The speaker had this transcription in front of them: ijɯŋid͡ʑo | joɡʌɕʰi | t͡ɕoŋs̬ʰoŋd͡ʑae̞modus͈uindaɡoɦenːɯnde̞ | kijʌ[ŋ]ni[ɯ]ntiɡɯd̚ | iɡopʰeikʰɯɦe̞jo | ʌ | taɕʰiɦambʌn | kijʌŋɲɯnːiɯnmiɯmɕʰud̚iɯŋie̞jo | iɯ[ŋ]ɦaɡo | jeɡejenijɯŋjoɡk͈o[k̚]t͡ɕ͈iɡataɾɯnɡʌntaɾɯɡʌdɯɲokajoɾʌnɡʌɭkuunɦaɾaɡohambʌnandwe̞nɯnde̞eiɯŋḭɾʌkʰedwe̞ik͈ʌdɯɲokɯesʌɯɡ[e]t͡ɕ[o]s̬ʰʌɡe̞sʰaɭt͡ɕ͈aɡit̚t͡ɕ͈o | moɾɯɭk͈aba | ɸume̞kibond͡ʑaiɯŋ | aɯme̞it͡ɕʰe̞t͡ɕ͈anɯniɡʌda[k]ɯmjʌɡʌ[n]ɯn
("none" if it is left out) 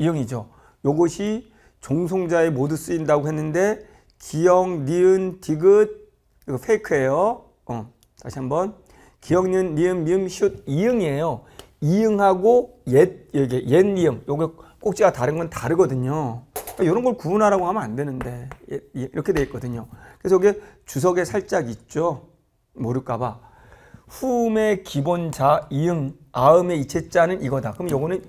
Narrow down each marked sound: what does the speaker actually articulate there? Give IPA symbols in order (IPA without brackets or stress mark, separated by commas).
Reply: ŋ, ɯ, ŋ, k̚, e, u, k, n